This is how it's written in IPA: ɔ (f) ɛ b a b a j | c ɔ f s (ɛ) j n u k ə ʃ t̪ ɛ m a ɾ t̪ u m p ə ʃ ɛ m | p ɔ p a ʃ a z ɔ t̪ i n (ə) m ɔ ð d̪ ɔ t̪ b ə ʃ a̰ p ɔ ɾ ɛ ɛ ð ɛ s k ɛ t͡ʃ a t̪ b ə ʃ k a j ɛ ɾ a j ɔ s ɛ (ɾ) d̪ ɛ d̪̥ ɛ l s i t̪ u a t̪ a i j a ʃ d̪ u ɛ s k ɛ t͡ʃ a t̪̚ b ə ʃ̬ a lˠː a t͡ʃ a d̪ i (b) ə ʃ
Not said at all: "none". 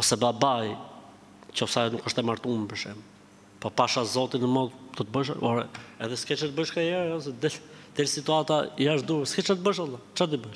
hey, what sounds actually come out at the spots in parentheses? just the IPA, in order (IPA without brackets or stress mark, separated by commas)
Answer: s, a, ə, none, b